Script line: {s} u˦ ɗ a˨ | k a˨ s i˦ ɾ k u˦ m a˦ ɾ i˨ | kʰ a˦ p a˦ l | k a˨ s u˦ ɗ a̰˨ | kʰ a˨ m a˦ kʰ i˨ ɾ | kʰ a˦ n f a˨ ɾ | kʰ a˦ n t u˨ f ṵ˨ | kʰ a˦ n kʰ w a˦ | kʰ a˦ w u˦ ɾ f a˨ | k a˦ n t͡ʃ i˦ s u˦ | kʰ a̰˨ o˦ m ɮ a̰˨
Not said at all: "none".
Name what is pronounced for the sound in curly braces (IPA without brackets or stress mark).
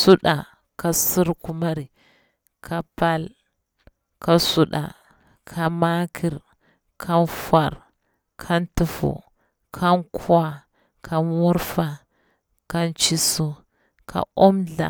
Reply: s